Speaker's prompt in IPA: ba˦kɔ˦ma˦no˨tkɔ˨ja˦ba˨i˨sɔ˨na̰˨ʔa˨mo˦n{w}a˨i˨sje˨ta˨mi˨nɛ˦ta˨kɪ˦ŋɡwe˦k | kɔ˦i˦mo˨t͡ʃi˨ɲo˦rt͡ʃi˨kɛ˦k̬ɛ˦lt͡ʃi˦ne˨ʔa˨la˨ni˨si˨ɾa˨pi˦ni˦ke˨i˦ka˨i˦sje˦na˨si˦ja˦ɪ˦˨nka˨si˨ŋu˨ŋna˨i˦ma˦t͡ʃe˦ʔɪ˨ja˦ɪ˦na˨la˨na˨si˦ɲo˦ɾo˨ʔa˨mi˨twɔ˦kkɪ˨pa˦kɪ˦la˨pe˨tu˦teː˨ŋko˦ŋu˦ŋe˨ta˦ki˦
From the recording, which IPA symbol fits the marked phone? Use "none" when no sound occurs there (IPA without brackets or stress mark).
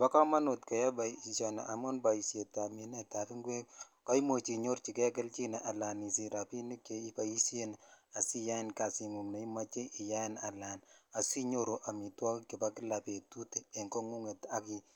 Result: b